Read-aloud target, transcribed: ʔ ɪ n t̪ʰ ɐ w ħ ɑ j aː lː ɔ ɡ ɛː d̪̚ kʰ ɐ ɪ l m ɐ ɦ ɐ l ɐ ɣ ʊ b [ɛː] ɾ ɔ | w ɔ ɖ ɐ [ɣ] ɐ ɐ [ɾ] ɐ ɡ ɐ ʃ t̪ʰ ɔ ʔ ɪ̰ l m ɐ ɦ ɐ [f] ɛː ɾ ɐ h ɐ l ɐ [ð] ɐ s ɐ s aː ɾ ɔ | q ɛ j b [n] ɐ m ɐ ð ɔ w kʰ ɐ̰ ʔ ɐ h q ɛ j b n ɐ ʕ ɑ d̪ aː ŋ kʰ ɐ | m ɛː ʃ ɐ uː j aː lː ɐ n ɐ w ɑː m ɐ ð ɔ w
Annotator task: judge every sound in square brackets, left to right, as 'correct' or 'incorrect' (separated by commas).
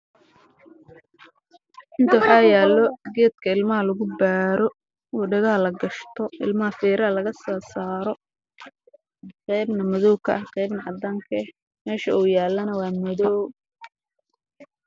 incorrect, correct, incorrect, correct, incorrect, correct